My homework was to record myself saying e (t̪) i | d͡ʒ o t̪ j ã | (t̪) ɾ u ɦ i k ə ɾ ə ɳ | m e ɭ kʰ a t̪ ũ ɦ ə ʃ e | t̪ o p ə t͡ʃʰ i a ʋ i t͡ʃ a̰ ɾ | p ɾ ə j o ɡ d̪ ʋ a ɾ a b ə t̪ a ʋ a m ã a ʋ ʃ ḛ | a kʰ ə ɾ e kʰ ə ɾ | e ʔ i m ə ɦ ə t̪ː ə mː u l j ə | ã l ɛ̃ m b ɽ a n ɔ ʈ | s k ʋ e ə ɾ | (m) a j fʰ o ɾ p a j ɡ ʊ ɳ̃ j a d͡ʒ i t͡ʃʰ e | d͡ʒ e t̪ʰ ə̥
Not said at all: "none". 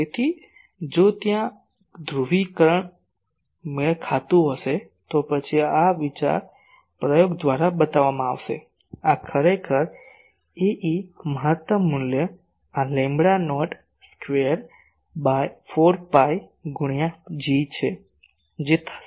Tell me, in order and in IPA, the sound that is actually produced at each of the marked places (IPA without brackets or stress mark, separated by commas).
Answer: t̪ʰ, d̪, b